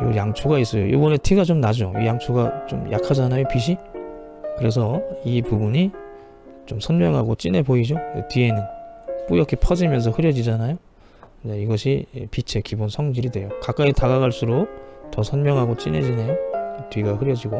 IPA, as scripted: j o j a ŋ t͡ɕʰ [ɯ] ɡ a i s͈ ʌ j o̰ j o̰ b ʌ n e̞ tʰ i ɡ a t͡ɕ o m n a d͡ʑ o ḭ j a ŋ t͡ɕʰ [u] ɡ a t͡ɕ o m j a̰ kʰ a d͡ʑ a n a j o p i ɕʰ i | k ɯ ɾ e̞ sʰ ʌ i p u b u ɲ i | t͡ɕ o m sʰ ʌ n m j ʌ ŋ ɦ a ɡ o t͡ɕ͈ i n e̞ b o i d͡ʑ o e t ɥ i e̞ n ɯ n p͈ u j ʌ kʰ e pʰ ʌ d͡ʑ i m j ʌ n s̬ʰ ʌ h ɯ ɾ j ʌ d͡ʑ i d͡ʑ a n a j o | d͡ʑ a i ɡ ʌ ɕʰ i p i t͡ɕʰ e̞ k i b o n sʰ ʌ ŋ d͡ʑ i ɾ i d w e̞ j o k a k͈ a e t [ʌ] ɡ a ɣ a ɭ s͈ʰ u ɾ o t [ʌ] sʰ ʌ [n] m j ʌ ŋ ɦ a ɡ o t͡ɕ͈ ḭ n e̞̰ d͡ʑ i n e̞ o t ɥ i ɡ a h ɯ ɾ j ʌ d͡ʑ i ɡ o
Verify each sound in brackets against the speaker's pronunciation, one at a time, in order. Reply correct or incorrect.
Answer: incorrect: u, correct, incorrect: a, correct, correct

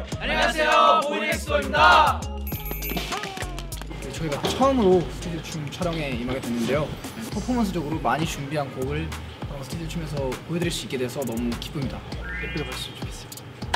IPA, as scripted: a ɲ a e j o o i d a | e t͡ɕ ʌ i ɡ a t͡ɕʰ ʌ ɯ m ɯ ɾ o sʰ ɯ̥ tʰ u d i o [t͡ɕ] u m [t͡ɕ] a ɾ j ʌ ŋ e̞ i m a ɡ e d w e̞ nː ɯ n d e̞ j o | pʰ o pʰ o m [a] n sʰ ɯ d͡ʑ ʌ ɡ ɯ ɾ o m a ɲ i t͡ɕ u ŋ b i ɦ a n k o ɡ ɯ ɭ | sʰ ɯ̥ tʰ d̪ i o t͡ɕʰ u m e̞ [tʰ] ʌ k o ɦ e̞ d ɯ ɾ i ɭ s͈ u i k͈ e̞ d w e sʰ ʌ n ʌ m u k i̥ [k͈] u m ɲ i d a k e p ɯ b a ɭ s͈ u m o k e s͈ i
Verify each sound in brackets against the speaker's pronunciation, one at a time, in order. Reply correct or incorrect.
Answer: incorrect: t͡ɕʰ, incorrect: t͡ɕʰ, incorrect: ʌ, incorrect: sʰ, incorrect: p͈

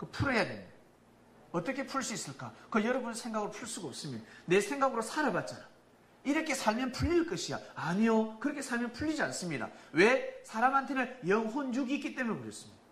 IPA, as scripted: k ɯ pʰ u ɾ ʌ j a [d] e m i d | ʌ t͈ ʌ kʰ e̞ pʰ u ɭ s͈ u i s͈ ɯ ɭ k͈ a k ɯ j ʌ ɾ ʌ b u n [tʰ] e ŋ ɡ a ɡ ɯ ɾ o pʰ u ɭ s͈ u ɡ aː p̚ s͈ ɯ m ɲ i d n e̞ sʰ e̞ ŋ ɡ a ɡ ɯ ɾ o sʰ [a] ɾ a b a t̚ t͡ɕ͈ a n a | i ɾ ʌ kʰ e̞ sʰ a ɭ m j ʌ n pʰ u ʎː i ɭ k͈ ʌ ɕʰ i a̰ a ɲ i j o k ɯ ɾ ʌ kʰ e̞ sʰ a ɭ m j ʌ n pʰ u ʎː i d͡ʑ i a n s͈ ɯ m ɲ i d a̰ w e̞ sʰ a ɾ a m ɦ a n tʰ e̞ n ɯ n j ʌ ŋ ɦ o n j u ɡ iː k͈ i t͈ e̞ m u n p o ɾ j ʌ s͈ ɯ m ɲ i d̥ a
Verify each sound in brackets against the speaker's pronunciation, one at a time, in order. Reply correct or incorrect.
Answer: correct, incorrect: sʰ, correct

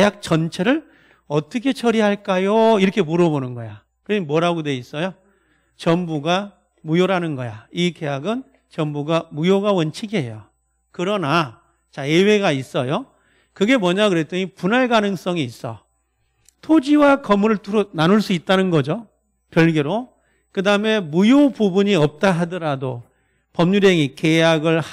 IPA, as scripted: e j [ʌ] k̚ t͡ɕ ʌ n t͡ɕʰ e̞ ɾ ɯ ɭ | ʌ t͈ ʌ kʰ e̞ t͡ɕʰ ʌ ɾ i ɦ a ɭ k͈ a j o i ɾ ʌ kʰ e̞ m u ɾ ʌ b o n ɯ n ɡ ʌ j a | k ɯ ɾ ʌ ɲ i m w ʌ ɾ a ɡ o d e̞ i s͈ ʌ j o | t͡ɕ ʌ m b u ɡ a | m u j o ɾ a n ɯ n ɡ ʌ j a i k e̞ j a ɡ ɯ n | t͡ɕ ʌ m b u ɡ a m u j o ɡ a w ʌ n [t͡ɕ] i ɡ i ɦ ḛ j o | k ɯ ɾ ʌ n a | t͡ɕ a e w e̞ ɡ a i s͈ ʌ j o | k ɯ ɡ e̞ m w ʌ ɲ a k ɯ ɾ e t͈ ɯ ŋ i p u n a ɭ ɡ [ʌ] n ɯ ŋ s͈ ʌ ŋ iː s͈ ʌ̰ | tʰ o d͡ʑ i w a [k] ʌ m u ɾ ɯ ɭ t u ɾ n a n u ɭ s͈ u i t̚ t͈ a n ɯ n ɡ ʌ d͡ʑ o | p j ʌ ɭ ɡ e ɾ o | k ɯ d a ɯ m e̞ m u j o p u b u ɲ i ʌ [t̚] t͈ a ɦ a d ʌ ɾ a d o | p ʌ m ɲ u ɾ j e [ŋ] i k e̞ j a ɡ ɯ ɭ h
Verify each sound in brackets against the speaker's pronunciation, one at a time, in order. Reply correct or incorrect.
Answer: incorrect: a, incorrect: t͡ɕʰ, incorrect: a, correct, incorrect: p̚, correct

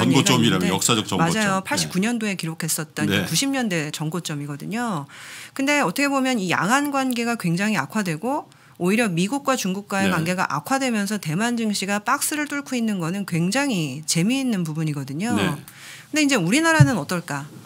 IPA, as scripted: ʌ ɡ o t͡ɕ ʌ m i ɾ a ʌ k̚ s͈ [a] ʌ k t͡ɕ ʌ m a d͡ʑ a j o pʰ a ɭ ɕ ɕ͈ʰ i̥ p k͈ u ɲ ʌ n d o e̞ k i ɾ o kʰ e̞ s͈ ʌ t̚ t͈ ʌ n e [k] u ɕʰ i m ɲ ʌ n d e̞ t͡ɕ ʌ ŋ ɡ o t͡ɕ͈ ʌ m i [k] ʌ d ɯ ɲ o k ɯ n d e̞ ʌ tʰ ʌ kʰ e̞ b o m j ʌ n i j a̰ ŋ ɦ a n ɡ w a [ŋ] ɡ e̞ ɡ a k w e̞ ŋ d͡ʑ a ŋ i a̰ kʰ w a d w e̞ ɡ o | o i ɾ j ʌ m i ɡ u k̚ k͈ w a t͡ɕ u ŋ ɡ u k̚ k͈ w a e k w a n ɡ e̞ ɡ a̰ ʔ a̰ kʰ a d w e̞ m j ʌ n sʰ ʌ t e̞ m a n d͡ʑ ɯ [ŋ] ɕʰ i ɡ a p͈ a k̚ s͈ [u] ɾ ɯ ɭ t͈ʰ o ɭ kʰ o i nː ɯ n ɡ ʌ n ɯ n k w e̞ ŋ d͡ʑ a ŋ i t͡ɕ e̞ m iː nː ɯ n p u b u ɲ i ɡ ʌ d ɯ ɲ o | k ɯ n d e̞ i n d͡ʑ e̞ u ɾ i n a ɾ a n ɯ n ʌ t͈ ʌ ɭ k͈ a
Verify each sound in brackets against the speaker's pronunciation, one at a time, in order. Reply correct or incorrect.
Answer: correct, correct, incorrect: ɡ, incorrect: n, correct, incorrect: ɯ

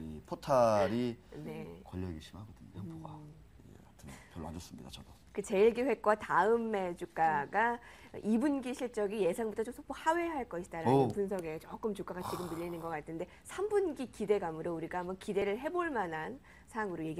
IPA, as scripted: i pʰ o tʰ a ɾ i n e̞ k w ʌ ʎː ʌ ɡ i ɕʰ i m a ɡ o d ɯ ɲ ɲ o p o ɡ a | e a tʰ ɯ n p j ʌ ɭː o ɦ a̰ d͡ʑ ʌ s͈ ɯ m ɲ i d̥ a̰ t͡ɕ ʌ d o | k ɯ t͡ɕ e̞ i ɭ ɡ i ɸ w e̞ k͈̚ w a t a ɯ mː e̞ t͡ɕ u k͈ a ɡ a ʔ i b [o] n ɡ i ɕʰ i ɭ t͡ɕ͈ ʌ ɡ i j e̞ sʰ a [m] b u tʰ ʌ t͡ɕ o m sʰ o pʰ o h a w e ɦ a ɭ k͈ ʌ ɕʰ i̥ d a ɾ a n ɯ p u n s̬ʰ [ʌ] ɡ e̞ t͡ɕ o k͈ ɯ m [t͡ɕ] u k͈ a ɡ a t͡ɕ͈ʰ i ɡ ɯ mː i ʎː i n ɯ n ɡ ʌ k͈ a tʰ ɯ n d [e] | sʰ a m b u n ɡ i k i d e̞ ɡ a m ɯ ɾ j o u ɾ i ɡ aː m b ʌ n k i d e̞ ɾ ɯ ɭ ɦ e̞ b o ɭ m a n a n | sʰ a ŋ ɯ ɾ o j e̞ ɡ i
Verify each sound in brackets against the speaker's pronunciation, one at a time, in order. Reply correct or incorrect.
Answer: incorrect: u, incorrect: ŋ, correct, correct, correct

